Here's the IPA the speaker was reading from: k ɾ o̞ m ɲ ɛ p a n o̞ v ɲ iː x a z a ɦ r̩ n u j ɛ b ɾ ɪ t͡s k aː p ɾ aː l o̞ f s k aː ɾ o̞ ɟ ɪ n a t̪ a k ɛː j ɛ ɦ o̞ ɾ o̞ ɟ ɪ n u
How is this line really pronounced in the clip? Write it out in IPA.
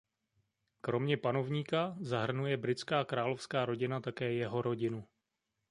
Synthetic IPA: k ɾ o̞ m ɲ ɛ p a n o̞ v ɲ iː k a z a ɦ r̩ n u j ɛ b ɾ ɪ t͡s k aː k ɾ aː l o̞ f s k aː ɾ o̞ ɟ ɪ n a t̪ a k ɛː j ɛ ɦ o̞ ɾ o̞ ɟ ɪ n u